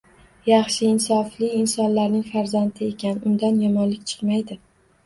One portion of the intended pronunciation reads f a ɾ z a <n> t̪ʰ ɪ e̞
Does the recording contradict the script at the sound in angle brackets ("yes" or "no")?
no